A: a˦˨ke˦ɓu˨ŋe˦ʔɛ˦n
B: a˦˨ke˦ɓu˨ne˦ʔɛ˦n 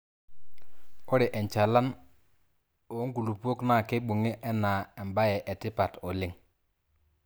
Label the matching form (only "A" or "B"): A